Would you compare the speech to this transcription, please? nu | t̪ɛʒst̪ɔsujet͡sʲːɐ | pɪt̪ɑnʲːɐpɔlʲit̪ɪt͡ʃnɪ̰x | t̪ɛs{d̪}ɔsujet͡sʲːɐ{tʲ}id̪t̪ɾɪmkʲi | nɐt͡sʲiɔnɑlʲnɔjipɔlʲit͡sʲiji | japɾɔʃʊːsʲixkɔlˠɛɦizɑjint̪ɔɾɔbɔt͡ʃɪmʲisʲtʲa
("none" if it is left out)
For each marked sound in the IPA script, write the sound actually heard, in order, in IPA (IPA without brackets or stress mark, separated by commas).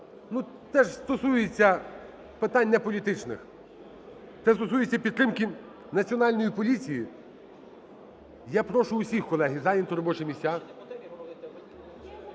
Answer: t̪, pʲ